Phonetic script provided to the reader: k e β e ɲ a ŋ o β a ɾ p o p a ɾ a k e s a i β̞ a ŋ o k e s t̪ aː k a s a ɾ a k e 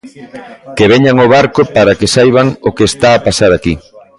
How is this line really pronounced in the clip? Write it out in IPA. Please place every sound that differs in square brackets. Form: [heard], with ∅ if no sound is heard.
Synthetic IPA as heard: k e β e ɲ a ŋ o β a ɾ [k] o p a ɾ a k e s a [j] β̞ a ŋ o k e s t̪ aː [p] a s a ɾ a k [i]